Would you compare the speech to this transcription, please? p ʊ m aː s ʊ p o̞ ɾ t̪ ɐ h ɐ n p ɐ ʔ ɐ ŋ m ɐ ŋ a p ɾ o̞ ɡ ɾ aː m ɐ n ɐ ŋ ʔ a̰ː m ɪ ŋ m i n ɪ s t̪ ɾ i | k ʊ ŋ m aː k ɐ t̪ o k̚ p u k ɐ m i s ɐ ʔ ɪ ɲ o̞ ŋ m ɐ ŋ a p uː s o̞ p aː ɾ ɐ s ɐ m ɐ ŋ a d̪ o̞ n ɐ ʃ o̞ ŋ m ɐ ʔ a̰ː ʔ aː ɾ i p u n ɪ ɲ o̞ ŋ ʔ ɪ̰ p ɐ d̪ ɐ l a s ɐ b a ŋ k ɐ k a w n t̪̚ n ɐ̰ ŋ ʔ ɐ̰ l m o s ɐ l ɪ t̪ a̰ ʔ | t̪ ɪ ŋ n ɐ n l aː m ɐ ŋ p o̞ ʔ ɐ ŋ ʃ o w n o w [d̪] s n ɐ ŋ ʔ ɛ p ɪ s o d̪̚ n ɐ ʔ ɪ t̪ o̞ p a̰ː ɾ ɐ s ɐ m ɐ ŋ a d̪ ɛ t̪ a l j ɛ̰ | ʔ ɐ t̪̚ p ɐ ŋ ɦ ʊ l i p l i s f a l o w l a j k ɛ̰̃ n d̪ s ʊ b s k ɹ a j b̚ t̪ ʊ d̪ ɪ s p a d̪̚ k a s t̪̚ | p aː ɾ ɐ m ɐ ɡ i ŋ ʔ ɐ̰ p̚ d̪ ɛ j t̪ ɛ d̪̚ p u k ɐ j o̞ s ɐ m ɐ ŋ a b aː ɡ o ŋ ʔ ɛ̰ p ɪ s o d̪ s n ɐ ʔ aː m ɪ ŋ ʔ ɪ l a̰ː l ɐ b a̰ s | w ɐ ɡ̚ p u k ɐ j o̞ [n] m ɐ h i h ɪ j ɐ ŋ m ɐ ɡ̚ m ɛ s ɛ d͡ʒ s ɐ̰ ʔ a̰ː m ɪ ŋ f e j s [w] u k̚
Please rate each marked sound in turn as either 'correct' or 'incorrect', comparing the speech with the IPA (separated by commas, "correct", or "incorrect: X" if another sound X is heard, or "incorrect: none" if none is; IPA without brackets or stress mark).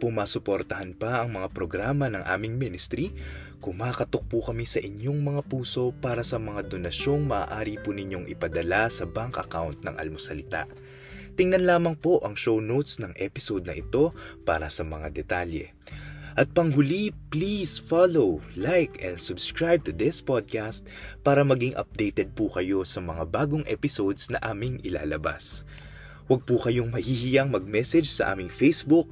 incorrect: t̪, incorrect: ŋ, incorrect: b